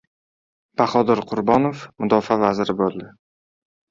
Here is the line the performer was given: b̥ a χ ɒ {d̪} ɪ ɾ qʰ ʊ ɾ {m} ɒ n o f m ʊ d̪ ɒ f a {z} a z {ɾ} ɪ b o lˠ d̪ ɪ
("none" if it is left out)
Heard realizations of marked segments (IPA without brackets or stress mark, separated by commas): d̪, b, v, ɾ